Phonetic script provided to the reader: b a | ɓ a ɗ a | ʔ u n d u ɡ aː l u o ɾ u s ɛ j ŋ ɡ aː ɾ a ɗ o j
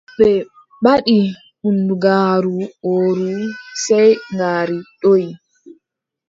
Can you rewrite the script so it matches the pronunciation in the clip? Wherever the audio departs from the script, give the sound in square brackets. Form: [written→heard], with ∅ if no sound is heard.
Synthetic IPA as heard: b [a→ɛ] | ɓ a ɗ [a→i] | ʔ u n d u ɡ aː [l→ɾ] u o ɾ u s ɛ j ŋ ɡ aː ɾ [a→i] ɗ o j